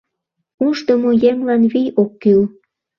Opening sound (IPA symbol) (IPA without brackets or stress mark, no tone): u